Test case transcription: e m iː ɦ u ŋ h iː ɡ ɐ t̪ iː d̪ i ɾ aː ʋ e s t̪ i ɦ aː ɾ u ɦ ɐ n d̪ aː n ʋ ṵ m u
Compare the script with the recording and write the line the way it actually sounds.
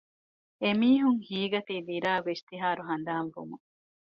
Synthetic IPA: e m iː ɦ u ŋ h iː ɡ ɐ t̪ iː d̪ i ɾ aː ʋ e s t̪ i ɦ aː ɾ u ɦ ɐ n d̪ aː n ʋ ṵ m u